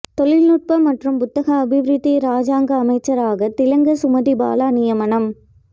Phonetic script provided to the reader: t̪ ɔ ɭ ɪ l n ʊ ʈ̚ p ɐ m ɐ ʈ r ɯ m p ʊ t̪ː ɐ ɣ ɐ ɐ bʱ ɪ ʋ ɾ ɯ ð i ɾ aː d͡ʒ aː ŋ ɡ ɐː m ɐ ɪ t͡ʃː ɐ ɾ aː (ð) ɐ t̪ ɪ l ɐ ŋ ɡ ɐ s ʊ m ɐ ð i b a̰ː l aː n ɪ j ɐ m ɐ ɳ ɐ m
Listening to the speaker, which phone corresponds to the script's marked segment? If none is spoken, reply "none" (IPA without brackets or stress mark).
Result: ɣ